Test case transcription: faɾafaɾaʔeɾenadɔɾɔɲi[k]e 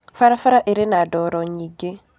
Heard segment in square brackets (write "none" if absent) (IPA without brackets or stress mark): ɡ